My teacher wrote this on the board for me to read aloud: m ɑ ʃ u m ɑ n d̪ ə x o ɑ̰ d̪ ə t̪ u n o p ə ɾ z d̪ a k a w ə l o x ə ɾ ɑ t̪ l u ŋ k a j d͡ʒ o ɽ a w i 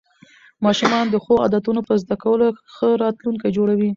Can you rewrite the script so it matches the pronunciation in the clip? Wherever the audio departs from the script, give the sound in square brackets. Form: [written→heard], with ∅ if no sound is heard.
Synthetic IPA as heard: m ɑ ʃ u m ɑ n d̪ ə x o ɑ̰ d̪ [ə→a] t̪ u n o p ə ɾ z d̪ a k a w ə l o x ə ɾ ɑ t̪ l u ŋ k a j d͡ʒ o ɽ a w i